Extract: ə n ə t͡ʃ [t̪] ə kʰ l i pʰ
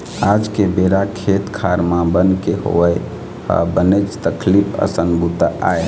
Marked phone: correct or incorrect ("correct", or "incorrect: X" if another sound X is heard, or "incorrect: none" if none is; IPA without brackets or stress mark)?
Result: correct